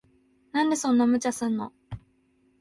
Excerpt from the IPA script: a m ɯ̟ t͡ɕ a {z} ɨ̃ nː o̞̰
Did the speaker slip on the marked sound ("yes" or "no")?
yes